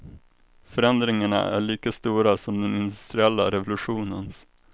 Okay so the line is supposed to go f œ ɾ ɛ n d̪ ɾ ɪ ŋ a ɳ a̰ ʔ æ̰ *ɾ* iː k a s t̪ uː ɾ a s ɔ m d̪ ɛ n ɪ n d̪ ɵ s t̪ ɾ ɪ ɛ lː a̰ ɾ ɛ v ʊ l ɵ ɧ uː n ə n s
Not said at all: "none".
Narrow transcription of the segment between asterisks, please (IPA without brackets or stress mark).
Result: ɭ